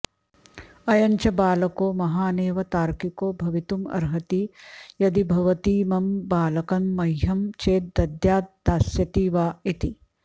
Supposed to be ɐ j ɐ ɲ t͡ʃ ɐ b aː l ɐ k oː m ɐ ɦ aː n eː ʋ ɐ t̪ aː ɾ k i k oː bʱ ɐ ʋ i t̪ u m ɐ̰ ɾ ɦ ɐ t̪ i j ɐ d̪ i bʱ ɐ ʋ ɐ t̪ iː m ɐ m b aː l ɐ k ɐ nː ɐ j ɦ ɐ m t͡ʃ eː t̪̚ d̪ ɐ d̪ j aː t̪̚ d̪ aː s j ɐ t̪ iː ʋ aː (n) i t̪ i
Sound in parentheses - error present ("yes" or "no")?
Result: yes